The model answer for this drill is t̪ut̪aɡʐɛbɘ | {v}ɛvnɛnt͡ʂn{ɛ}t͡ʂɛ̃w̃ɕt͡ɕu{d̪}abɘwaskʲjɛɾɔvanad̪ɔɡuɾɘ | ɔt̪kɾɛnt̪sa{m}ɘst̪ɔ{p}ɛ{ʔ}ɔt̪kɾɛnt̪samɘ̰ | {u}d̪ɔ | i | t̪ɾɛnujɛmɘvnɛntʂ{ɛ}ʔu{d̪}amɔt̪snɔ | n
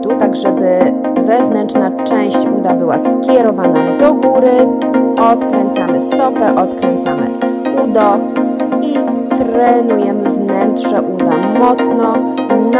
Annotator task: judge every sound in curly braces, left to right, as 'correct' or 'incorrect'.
correct, incorrect: a, correct, correct, correct, correct, correct, correct, correct

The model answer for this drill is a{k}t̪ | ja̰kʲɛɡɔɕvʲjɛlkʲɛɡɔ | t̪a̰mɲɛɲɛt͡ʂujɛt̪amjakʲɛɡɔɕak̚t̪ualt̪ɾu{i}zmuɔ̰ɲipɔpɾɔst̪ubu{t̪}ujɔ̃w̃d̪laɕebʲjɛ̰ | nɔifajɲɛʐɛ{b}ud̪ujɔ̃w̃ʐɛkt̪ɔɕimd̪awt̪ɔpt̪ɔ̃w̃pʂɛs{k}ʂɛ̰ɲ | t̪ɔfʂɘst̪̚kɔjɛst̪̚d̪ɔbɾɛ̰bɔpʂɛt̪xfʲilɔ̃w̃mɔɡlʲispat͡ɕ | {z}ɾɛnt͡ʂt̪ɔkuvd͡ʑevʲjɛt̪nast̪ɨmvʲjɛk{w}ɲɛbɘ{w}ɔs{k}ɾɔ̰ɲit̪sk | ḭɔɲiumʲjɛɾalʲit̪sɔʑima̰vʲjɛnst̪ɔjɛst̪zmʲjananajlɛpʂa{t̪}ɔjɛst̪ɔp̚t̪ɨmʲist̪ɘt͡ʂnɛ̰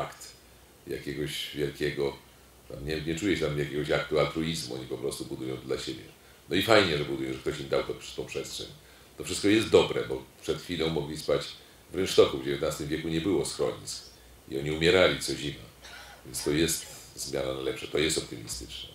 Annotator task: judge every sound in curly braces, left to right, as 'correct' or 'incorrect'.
correct, correct, incorrect: d̪, correct, incorrect: t, incorrect: v, incorrect: u, correct, incorrect: x, correct

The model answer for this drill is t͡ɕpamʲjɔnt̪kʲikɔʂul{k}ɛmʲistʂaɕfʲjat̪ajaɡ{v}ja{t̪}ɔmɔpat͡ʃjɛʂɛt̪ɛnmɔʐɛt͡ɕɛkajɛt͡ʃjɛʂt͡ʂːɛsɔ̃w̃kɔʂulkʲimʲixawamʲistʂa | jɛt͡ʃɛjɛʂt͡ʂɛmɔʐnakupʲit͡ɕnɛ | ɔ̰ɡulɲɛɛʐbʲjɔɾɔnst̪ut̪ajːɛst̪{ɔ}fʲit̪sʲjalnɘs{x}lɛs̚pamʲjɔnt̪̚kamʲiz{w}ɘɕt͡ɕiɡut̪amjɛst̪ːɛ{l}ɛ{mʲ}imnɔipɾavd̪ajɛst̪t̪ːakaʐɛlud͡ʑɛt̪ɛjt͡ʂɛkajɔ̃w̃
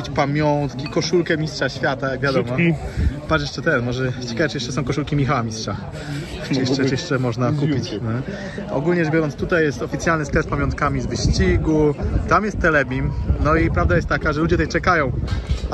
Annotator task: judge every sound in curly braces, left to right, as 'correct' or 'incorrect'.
correct, correct, incorrect: d̪, correct, incorrect: k, incorrect: v, correct, incorrect: bʲ

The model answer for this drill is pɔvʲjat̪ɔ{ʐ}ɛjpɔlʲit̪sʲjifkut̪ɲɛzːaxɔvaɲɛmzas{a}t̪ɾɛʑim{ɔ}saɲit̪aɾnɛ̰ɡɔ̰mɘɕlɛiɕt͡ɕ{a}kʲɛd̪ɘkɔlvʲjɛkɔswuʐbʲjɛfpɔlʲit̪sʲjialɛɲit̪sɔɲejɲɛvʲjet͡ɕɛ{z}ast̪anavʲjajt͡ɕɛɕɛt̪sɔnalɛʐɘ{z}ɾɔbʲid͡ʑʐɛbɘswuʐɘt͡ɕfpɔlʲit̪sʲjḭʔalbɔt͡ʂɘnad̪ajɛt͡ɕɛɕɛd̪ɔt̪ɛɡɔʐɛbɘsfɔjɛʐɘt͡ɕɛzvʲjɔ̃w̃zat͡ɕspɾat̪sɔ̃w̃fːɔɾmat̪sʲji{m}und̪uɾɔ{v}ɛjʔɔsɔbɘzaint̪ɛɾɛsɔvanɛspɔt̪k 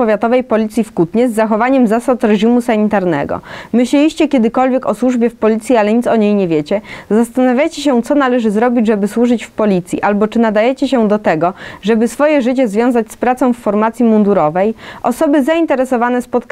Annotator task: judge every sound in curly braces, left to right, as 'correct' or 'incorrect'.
incorrect: v, correct, incorrect: u, incorrect: ɛ, correct, correct, correct, correct

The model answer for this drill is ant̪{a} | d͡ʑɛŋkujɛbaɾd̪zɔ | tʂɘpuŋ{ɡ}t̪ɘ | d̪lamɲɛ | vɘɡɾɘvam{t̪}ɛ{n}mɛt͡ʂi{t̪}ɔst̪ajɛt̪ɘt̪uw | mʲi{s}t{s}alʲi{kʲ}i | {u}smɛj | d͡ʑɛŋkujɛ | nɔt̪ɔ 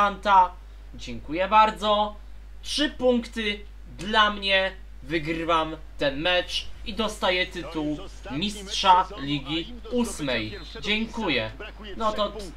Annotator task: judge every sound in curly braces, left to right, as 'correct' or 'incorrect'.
correct, incorrect: k, correct, correct, incorrect: d̪, correct, incorrect: ʂ, incorrect: ɡʲ, correct

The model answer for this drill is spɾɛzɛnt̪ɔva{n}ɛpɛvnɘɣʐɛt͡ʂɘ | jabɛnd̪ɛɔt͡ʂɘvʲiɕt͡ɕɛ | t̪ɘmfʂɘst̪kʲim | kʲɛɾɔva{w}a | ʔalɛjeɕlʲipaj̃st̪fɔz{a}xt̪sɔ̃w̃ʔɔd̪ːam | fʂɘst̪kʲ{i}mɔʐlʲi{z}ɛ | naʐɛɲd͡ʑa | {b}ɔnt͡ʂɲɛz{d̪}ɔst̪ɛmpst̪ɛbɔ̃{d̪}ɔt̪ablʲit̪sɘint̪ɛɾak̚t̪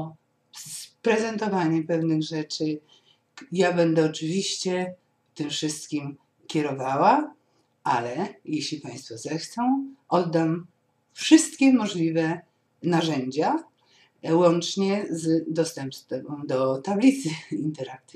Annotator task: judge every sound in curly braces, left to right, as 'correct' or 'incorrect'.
incorrect: ɲ, correct, incorrect: ɛ, incorrect: ɛ, incorrect: v, incorrect: w, correct, correct

